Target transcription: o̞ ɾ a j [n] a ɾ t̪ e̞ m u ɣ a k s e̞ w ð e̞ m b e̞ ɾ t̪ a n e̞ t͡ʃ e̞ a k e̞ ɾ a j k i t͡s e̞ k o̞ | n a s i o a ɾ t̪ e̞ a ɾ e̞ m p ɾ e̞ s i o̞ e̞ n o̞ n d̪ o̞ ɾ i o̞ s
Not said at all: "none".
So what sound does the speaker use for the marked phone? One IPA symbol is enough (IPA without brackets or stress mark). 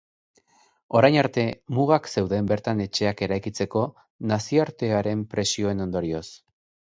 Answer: n